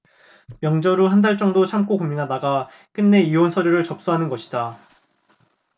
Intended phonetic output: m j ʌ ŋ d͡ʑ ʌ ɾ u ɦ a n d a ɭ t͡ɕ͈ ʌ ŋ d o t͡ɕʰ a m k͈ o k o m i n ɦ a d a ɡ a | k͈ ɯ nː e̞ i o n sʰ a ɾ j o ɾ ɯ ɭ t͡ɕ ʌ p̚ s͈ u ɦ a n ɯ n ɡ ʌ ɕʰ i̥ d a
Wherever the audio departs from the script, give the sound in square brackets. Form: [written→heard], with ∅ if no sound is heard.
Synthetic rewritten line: m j ʌ ŋ d͡ʑ ʌ ɾ u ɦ a n d a ɭ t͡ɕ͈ ʌ ŋ d o t͡ɕʰ a m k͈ o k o m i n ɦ a d a ɡ a | k͈ ɯ nː e̞ i o n sʰ [a→ʌ] ɾ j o ɾ ɯ ɭ t͡ɕ ʌ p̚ s͈ u ɦ a n ɯ n ɡ ʌ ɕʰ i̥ d a